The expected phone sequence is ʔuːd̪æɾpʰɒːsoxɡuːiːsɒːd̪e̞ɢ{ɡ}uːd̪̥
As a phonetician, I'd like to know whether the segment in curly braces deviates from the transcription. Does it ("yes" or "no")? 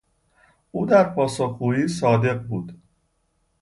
yes